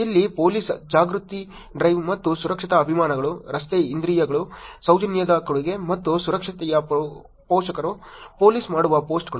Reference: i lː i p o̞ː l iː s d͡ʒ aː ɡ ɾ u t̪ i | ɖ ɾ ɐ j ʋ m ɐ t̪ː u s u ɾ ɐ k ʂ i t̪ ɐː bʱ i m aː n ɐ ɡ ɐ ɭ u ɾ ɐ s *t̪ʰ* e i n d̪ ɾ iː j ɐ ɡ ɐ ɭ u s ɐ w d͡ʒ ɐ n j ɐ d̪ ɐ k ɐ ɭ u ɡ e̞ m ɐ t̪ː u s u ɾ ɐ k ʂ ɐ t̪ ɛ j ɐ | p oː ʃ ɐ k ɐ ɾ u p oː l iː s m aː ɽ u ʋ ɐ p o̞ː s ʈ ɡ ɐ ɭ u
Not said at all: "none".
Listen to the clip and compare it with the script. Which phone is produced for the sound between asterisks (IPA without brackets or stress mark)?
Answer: t̪